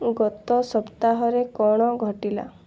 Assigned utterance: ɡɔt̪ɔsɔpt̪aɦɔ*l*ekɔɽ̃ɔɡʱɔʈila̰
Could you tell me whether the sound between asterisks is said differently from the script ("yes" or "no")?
yes